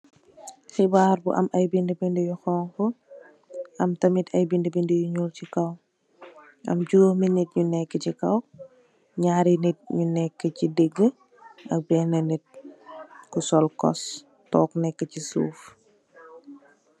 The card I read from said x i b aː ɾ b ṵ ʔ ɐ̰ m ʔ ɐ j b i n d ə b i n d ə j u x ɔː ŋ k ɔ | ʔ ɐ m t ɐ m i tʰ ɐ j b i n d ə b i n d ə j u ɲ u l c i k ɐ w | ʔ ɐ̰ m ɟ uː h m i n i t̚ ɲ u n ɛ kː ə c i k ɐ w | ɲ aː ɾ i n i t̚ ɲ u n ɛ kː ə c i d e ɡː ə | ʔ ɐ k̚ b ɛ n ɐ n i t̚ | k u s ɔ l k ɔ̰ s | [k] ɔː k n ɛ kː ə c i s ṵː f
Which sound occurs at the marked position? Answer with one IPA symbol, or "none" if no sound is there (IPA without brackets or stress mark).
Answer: t